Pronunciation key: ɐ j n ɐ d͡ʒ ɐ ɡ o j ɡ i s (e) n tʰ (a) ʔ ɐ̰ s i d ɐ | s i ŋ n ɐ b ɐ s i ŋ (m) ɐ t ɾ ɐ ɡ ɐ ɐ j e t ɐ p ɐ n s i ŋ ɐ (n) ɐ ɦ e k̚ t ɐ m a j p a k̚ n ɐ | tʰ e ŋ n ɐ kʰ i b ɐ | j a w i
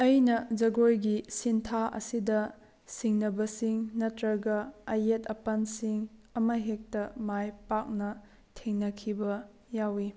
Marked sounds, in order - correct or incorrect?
incorrect, correct, incorrect, incorrect

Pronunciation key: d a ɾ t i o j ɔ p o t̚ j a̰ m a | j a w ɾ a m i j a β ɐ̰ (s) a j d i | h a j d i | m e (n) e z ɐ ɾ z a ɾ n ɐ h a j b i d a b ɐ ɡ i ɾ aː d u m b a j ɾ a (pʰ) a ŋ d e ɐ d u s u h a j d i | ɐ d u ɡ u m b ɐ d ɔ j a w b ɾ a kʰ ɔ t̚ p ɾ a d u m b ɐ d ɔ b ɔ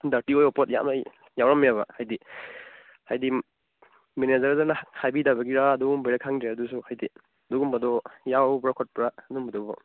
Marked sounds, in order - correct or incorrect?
incorrect, correct, incorrect

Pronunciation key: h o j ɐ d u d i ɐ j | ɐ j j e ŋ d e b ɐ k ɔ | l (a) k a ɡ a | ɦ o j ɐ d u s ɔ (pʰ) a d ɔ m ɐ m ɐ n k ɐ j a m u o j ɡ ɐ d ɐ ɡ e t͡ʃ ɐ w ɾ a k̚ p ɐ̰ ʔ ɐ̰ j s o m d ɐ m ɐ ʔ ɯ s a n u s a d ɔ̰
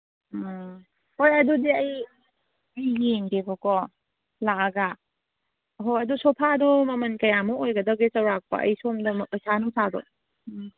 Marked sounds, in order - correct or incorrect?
correct, correct

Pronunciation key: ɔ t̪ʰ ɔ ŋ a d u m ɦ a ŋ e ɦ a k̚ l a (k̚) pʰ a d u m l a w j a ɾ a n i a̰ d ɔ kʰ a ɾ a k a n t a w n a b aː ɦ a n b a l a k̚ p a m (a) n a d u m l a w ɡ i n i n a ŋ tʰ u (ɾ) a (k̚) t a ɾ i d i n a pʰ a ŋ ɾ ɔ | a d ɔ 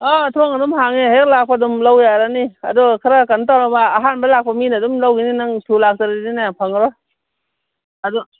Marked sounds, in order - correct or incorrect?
correct, incorrect, incorrect, correct

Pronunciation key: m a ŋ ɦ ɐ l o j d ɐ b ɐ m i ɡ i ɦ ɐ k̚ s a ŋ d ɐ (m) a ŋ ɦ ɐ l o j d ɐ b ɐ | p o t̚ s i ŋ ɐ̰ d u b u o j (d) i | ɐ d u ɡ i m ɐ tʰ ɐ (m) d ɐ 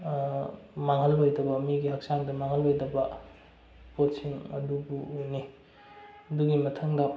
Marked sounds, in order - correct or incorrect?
correct, incorrect, incorrect

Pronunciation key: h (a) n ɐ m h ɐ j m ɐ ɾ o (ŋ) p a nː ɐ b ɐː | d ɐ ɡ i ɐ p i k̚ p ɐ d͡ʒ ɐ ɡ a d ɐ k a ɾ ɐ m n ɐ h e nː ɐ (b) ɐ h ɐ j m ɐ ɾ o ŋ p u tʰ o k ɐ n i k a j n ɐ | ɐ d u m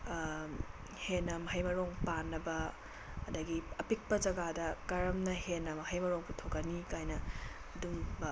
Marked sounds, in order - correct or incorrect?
incorrect, correct, incorrect

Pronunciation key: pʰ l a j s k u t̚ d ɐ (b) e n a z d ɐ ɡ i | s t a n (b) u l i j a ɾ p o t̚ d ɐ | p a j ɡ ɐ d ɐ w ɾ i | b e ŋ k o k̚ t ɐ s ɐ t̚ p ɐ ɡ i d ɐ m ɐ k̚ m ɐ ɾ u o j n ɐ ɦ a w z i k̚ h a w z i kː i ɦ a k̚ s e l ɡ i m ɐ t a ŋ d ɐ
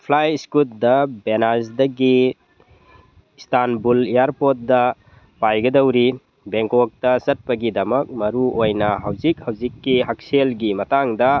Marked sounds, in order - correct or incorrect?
correct, correct

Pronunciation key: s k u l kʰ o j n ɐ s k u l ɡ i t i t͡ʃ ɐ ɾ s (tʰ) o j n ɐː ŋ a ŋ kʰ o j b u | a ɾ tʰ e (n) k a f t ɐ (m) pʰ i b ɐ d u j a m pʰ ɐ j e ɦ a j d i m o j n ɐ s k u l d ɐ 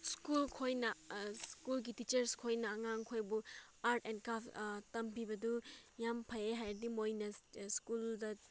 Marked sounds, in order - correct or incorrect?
incorrect, correct, correct

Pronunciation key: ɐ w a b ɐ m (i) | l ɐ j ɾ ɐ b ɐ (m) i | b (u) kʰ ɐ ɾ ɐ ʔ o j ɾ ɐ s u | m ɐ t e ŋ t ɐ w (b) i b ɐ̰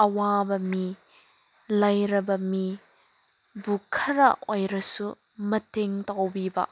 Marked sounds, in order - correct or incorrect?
correct, correct, correct, correct

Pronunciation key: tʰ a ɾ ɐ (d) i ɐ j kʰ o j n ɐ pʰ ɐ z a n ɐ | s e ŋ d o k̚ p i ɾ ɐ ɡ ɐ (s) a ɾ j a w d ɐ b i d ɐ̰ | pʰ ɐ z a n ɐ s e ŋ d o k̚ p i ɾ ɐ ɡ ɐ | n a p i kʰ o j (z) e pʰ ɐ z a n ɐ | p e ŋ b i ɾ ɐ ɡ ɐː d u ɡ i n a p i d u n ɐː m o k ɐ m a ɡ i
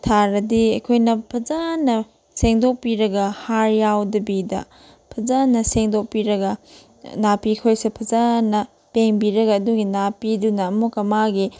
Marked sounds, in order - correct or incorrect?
correct, incorrect, incorrect

